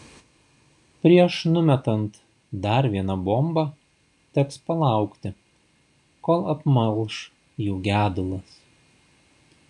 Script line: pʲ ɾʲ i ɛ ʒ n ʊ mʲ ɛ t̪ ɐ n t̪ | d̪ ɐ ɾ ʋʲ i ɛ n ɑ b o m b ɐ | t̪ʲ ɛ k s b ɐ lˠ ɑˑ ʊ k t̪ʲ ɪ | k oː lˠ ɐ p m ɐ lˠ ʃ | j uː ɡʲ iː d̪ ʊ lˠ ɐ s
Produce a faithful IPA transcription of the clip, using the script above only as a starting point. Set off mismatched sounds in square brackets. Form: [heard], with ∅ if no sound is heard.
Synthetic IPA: pʲ ɾʲ i ɛ [ʃ] n ʊ mʲ ɛ t̪ ɐ n t̪ | d̪ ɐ ɾ ʋʲ i ɛ n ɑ b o m b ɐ | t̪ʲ ɛ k s [p] ɐ lˠ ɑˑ ʊ k t̪ʲ ɪ | k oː lˠ ɐ p m ɐ lˠ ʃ | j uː ɡʲ [æː] d̪ ʊ lˠ ɐ s

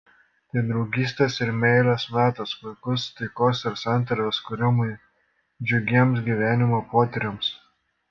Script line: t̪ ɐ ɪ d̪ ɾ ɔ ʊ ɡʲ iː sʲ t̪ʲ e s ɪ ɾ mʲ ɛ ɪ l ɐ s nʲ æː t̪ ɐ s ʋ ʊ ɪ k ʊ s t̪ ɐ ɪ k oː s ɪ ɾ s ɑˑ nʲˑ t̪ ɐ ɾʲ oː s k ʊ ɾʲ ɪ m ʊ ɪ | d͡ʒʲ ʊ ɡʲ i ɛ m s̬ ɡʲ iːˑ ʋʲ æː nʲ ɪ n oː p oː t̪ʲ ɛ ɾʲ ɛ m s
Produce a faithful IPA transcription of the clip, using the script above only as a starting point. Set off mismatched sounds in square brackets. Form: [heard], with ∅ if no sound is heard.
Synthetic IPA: t̪ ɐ ɪ d̪ ɾ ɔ ʊ ɡʲ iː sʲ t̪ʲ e s ɪ ɾ mʲ ɛ ɪ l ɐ s [mʲ] æː t̪ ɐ s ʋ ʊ ɪ k ʊ s t̪ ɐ ɪ k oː s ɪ ɾ s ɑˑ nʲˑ t̪ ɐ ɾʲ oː s k ʊ ɾʲ ɪ m ʊ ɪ | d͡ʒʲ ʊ ɡʲ i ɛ m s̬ ɡʲ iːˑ ʋʲ æː nʲ ɪ [m] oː p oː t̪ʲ ɛ ɾʲ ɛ m s

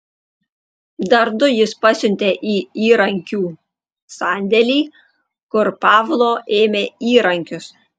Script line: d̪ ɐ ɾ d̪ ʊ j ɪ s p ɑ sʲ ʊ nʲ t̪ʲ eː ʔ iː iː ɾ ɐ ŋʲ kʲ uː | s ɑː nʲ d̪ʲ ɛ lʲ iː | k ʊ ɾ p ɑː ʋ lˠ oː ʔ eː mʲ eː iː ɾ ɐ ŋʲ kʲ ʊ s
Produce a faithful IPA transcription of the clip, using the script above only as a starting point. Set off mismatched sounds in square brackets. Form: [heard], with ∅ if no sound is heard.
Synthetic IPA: d̪ ɐ ɾ d̪ ʊ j ɪ s p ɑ sʲ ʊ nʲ t̪ʲ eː ʔ iː iː ɾ ɐ ŋʲ kʲ uː | s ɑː nʲ d̪ʲ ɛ lʲ iː | k ʊ ɾ p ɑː ʋ lˠ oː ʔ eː mʲ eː iː ɾ ɐ ŋʲ kʲ ʊ s

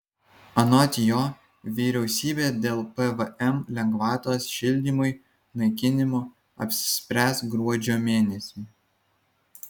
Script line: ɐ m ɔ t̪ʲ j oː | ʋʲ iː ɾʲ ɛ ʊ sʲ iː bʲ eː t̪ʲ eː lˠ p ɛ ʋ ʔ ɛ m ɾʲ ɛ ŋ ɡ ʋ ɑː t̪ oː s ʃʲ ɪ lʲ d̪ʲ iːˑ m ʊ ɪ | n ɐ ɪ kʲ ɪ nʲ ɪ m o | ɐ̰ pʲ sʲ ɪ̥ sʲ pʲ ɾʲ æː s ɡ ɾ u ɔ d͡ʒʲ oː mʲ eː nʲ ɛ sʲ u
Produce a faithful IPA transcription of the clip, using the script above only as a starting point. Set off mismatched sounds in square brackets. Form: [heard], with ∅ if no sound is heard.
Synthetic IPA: ɐ [n] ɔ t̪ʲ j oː | ʋʲ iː ɾʲ ɛ ʊ sʲ iː bʲ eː [d̪ʲ] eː lˠ p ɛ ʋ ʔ ɛ m [lʲ] ɛ ŋ ɡ ʋ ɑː t̪ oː s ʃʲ ɪ lʲ d̪ʲ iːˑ m ʊ ɪ | n ɐ ɪ kʲ ɪ nʲ ɪ m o | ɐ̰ pʲ sʲ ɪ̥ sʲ pʲ ɾʲ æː s ɡ ɾ u ɔ d͡ʒʲ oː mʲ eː nʲ ɛ sʲ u

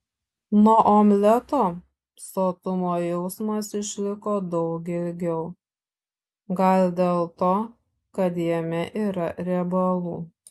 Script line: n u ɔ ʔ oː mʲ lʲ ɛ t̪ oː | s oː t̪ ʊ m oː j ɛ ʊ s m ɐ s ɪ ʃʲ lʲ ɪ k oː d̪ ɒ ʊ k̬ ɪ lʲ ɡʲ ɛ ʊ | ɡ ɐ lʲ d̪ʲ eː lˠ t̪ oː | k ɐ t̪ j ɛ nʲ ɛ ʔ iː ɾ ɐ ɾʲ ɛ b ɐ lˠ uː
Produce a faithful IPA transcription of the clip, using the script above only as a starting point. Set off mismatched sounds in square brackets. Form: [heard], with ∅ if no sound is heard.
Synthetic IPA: n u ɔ ʔ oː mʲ lʲ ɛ t̪ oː | s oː t̪ ʊ m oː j ɛ ʊ s m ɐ s ɪ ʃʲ lʲ ɪ k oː d̪ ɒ ʊ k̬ ɪ lʲ ɡʲ ɛ ʊ | ɡ ɐ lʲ d̪ʲ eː lˠ t̪ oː | k ɐ t̪ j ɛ [mʲ] ɛ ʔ iː ɾ ɐ ɾʲ ɛ b ɐ lˠ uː

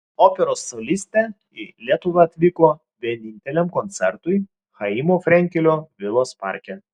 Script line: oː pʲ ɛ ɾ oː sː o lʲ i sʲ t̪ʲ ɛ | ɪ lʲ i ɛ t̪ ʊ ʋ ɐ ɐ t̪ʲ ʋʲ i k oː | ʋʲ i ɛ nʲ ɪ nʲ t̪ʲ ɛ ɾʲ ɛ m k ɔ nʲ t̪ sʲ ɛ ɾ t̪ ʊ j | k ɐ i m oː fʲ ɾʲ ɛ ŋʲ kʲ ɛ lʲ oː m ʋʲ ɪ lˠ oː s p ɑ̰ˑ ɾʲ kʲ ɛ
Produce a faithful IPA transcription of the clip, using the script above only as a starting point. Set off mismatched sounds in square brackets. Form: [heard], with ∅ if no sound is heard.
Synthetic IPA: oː pʲ ɛ ɾ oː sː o lʲ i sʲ t̪ʲ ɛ | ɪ lʲ i ɛ t̪ ʊ ʋ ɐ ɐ t̪ʲ ʋʲ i k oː | ʋʲ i ɛ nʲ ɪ nʲ t̪ʲ ɛ [lʲ] ɛ m k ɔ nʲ t̪ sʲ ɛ ɾ t̪ ʊ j | [x] ɐ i m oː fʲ ɾʲ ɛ ŋʲ kʲ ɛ lʲ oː [∅] ʋʲ ɪ lˠ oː s p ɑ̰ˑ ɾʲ kʲ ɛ

